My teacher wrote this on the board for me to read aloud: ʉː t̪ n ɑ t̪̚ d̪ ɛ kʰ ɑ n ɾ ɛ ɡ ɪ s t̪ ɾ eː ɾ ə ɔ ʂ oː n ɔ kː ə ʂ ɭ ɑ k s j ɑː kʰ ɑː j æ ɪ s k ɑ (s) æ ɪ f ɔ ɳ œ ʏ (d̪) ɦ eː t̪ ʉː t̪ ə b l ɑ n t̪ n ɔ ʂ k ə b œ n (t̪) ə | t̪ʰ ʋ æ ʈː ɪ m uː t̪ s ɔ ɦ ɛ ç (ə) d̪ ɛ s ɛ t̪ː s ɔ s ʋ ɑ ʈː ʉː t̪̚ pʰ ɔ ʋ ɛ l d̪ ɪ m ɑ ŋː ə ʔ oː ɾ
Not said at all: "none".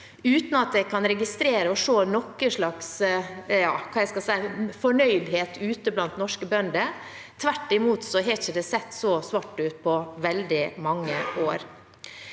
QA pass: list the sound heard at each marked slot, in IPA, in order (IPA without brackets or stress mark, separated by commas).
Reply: s, d̪, d̪, ə